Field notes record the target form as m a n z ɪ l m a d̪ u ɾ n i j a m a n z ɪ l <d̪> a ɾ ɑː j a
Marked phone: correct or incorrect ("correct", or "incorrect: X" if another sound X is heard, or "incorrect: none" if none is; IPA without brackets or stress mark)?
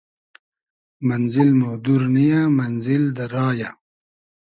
correct